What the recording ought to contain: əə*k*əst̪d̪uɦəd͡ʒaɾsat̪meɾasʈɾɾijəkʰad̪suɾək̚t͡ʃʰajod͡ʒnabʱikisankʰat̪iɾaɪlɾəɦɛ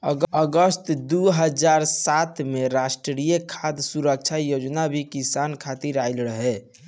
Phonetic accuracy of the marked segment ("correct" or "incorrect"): incorrect